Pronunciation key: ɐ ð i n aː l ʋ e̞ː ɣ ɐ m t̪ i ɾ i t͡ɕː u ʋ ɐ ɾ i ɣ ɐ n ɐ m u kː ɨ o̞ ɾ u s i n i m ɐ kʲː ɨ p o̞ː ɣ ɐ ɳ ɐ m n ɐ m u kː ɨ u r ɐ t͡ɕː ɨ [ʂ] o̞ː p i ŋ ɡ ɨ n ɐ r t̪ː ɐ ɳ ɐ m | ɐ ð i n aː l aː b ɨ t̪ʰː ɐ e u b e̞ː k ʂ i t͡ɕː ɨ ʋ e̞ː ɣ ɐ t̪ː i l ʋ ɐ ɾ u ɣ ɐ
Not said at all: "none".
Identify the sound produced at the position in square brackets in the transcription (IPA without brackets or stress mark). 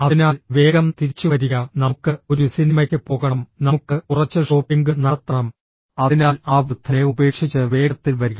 ʂ